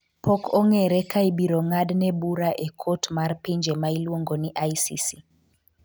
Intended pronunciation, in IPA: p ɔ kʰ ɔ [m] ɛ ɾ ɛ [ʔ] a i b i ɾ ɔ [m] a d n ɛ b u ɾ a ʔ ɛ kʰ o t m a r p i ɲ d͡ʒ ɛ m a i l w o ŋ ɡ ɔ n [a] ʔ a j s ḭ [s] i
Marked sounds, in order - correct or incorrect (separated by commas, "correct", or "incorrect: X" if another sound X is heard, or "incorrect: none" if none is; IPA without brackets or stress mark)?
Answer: incorrect: ŋ, incorrect: k, incorrect: ŋ, incorrect: i, correct